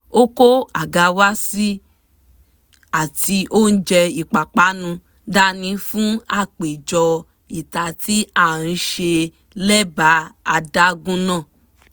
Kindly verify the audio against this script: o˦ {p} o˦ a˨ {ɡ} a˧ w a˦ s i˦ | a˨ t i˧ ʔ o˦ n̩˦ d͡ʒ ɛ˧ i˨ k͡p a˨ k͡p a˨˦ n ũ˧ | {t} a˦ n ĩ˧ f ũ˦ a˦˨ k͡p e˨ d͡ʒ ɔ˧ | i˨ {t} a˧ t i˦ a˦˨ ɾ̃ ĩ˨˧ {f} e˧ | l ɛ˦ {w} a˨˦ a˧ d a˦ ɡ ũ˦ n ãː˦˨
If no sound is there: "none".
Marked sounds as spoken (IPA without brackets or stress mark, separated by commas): k, ɡ, d, t, ʃ, b